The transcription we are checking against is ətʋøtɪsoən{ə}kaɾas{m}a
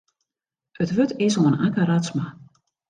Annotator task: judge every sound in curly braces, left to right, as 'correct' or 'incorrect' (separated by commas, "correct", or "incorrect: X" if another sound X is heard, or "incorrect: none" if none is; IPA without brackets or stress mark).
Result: incorrect: a, correct